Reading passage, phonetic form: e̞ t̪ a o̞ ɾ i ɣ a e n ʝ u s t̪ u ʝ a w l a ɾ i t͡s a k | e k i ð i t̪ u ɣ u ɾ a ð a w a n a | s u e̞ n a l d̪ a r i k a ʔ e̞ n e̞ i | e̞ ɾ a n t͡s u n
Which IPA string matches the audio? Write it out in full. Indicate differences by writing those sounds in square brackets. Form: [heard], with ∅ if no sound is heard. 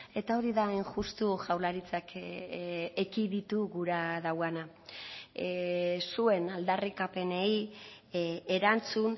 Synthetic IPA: e̞ t̪ a o̞ ɾ i [ð] a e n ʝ u s t̪ u ʝ a w l a ɾ i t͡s a k | e k i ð i t̪ u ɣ u ɾ a ð a w a n a | s u e̞ n a l d̪ a r i k a [p] e̞ n e̞ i | e̞ ɾ a n t͡s u n